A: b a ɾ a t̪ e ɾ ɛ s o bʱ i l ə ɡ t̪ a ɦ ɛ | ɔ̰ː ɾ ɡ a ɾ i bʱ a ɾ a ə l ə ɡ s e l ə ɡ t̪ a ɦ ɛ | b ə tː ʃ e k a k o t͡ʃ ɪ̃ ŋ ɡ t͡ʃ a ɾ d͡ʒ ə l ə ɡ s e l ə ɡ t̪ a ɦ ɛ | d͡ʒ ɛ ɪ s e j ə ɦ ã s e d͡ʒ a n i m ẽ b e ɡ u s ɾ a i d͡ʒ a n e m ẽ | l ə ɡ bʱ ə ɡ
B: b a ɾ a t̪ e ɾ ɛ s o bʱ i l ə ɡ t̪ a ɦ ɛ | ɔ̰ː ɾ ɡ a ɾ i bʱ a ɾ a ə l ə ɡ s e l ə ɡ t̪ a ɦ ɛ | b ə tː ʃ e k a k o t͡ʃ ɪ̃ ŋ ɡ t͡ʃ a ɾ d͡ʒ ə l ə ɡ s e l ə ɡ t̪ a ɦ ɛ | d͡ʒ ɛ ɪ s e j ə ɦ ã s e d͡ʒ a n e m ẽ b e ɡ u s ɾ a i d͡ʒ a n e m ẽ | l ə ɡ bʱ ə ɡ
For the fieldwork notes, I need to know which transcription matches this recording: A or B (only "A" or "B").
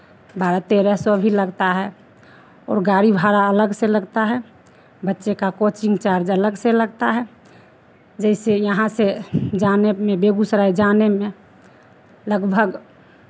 B